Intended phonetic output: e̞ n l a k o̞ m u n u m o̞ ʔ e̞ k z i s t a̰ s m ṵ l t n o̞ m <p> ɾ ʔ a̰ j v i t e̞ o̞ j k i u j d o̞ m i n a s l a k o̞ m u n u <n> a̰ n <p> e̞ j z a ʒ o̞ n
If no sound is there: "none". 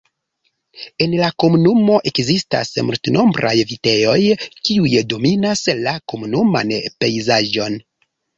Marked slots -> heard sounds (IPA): b, m, p

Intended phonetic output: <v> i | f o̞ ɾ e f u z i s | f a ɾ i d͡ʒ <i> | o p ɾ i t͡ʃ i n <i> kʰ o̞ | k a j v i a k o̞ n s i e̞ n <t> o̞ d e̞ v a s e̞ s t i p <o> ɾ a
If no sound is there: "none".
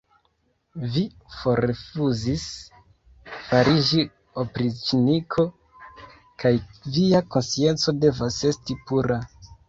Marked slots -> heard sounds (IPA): v, i, i, t͡s, u

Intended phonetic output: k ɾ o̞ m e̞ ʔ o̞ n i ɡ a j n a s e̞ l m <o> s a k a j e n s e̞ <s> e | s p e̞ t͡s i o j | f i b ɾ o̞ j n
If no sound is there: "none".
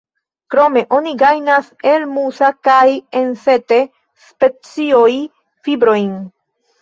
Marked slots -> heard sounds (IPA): u, t

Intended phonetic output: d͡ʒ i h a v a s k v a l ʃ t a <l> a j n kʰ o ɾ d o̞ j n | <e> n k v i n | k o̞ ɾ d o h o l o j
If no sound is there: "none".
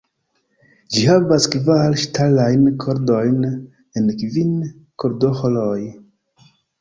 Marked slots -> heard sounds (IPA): l, e

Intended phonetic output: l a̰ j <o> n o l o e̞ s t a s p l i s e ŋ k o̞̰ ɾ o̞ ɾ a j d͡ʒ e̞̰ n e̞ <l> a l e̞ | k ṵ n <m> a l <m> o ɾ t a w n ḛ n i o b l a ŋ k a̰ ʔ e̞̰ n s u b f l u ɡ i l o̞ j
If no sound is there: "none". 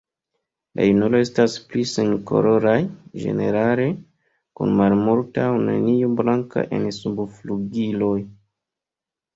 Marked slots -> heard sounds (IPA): u, ɾ, m, m

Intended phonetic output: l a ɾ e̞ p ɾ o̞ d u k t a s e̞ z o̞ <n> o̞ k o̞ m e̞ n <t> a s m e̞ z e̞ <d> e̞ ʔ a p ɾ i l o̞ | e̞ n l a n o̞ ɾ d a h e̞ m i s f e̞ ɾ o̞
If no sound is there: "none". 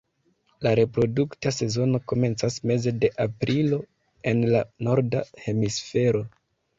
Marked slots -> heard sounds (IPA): n, t͡s, d

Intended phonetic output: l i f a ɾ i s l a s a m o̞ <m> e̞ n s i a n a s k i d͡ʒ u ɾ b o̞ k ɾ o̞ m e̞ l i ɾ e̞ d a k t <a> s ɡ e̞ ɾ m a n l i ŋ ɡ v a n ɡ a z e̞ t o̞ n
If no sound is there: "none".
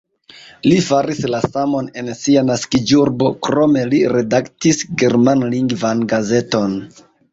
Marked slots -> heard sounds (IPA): n, i

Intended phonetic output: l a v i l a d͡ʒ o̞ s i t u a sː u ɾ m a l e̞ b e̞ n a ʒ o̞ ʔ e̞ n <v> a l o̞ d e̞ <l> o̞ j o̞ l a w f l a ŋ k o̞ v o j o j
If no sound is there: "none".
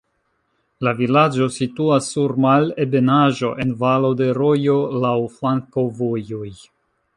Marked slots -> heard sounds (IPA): v, ɾ

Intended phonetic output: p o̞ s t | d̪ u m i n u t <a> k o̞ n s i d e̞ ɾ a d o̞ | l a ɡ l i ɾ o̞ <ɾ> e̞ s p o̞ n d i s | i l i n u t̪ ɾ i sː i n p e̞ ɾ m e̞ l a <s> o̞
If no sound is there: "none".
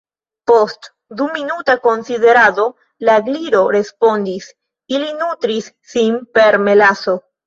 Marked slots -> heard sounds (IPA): a, ɾ, s

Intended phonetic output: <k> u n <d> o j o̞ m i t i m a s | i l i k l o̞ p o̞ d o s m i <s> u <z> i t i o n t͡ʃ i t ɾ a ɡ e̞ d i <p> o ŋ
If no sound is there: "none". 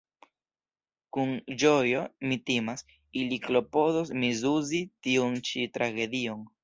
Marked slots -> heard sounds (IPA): k, d͡ʒ, z, z, none

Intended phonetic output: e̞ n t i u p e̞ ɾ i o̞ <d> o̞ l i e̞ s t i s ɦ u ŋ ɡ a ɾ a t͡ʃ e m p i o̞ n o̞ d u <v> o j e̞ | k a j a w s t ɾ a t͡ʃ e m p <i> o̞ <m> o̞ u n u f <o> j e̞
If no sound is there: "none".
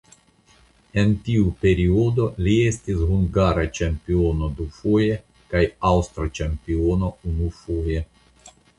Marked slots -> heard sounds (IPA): d, f, i, n, o

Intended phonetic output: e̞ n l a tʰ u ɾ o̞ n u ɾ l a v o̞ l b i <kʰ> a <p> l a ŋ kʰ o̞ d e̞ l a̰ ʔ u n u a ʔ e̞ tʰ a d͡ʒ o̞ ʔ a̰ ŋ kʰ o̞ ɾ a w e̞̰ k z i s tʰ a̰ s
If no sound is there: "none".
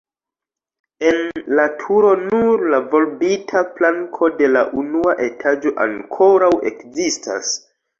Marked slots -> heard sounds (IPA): tʰ, p

